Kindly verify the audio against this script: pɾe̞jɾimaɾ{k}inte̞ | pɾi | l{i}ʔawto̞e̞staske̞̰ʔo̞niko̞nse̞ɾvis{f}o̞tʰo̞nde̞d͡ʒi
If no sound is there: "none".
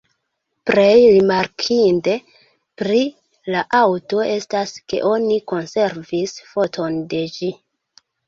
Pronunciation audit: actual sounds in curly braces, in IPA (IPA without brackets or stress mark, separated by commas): kʰ, a, f